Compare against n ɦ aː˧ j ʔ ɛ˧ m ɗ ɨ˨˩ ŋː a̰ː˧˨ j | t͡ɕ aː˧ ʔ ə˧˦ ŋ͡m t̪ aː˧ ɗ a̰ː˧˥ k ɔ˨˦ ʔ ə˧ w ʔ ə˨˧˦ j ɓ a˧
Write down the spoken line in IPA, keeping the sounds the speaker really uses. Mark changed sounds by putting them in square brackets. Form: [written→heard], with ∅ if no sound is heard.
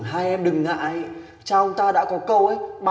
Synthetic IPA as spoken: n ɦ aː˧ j ʔ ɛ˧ m ɗ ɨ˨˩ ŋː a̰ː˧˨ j | t͡ɕ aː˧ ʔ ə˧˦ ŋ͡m t̪ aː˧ ɗ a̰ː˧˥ k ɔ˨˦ [ʔ→k] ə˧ w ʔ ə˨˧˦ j ɓ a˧